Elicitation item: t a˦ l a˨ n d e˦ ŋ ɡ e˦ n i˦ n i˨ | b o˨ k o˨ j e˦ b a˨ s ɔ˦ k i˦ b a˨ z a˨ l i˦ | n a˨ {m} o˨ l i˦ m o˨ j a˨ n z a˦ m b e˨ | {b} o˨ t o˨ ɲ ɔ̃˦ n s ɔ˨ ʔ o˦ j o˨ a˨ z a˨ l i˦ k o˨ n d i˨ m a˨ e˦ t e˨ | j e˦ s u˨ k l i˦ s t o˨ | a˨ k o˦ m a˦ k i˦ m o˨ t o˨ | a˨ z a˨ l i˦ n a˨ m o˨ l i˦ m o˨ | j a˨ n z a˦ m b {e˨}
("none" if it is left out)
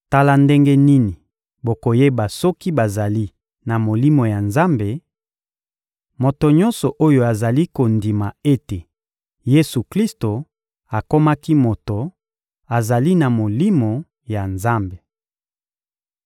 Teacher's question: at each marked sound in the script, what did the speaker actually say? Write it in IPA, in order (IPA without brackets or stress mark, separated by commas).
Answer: m, m, e˨